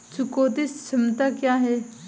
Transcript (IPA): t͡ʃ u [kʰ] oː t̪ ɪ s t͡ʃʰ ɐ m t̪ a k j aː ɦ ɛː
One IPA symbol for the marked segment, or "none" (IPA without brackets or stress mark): k